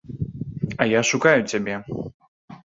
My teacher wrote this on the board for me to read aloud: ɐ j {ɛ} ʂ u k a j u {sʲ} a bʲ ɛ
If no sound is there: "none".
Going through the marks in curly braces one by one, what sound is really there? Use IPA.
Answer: a, t͡sʲ

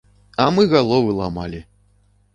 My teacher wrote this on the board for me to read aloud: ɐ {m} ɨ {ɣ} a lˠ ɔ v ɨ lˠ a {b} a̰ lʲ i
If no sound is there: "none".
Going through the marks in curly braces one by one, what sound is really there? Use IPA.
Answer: m, ɣ, m

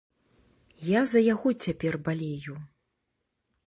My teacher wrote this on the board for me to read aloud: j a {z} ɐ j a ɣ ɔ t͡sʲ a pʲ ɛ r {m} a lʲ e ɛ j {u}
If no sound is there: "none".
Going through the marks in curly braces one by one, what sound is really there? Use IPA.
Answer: z, b, u

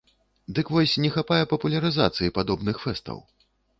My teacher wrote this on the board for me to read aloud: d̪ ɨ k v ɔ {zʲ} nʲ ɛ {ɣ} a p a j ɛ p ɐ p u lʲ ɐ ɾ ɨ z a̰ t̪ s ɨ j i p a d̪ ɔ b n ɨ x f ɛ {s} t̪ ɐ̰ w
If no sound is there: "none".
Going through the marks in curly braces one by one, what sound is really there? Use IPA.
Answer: sʲ, x, s

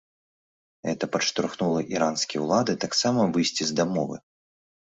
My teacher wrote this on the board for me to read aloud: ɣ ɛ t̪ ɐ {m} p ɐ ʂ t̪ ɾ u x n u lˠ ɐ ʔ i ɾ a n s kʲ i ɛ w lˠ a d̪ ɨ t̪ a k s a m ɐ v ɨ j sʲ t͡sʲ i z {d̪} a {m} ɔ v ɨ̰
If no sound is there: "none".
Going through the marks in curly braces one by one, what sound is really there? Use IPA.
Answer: none, d̪, m

